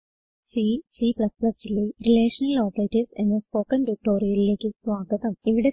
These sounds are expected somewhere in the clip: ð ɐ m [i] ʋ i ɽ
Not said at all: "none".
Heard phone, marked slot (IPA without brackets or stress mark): i